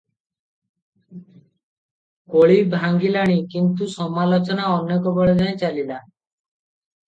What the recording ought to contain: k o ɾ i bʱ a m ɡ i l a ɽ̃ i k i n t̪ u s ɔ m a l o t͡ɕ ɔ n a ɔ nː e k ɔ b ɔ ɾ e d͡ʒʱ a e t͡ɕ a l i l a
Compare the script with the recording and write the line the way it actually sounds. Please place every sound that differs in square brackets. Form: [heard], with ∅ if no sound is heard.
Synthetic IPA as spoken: k o [ɭ] i bʱ a [ŋ] ɡ i l a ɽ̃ i k i n t̪ u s ɔ m a l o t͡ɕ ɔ n a ɔ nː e k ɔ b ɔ [ɭ] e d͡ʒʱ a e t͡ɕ a l i l a